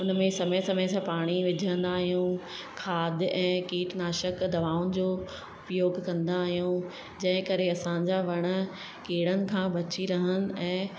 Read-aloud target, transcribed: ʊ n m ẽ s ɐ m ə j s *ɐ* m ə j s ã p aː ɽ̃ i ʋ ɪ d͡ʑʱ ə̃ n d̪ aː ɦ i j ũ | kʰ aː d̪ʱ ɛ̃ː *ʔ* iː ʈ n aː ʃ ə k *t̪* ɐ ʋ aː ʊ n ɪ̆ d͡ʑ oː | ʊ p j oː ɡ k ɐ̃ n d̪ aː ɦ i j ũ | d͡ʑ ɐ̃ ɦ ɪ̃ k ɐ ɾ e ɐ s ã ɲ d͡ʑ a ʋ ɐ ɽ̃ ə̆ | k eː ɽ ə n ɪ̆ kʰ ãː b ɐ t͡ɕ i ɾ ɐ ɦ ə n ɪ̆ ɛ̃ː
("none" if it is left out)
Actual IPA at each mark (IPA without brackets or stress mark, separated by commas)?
ɐ, k, d̪